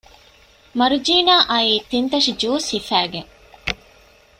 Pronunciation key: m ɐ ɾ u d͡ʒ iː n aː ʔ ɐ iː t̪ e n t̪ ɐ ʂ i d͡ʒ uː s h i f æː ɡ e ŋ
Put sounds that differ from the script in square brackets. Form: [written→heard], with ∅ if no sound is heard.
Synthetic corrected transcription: m ɐ ɾ u d͡ʒ iː n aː ʔ ɐ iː t̪ [e→i] n t̪ ɐ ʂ i d͡ʒ uː s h i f æː ɡ e ŋ